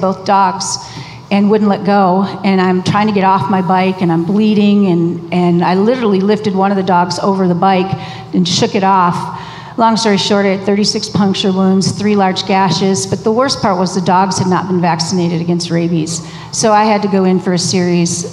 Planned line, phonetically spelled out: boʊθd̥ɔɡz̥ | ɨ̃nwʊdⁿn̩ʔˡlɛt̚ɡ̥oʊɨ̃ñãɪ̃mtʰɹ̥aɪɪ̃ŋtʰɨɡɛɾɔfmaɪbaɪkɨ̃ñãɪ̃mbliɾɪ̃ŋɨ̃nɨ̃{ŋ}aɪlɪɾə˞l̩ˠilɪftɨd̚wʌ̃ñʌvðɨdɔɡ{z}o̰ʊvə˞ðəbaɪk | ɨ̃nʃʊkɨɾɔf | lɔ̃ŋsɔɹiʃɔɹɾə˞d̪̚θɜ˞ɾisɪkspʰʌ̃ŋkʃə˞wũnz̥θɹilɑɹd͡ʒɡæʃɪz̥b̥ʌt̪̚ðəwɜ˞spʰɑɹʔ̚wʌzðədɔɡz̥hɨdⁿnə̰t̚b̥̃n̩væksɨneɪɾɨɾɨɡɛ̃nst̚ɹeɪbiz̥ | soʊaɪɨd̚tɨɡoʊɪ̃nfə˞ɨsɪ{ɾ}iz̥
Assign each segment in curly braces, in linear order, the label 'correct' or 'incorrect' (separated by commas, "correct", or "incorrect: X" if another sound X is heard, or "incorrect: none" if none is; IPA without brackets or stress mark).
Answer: incorrect: n, correct, incorrect: ɹ